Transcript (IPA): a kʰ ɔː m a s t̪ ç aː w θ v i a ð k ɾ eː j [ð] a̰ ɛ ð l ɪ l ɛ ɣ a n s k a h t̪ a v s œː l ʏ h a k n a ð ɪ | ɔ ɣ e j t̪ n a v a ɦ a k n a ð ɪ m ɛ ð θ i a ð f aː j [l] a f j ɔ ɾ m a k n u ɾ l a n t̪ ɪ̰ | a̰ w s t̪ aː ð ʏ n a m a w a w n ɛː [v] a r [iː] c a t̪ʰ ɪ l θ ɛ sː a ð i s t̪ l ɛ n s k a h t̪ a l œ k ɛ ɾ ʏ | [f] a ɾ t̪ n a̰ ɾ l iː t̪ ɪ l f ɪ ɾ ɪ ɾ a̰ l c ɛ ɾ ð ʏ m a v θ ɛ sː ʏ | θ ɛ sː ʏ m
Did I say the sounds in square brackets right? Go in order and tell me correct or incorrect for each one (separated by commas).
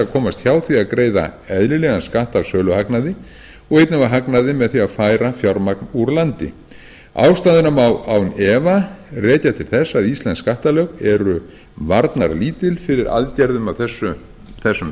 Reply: correct, incorrect, correct, incorrect, incorrect